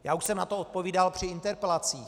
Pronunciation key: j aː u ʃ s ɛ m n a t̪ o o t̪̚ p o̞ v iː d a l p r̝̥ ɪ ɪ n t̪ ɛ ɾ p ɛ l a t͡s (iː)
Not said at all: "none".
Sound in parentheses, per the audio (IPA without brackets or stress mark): iː